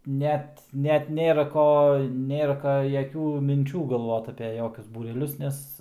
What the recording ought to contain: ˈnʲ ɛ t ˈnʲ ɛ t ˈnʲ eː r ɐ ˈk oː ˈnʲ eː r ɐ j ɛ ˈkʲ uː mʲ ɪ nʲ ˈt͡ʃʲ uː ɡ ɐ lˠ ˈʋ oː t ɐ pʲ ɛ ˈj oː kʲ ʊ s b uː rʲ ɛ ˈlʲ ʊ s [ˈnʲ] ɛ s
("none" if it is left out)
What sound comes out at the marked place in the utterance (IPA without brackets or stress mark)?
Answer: nʲ